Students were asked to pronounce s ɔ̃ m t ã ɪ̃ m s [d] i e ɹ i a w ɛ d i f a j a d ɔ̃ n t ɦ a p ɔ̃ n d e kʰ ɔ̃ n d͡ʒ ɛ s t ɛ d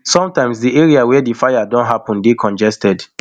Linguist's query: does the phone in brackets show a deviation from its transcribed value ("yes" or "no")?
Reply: no